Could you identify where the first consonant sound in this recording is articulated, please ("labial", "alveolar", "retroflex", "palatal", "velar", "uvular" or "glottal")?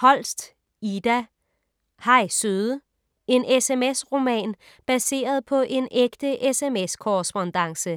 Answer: glottal